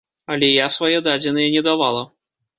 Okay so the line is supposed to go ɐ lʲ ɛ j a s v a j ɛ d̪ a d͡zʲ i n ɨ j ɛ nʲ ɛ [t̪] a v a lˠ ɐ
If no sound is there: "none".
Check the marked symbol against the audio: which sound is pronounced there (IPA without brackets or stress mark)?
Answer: d̪